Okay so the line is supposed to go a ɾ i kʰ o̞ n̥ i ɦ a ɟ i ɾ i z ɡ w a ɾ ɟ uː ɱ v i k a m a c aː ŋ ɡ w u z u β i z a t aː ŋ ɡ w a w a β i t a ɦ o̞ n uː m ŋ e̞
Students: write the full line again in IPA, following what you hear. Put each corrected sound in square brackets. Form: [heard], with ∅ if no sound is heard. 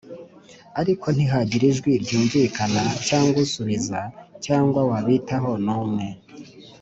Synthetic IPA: a ɾ i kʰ o̞ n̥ i ɦ a ɟ i ɾ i [ʒ] ɡ w [i] ɾ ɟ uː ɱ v i k a [n] a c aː ŋ ɡ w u [s] u β i z a [c] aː ŋ ɡ w a w a β i t a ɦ o̞ n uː m ŋ e̞